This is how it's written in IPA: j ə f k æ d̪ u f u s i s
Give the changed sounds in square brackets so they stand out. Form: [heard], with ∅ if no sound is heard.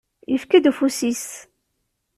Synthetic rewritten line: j ə f k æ d̪ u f u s i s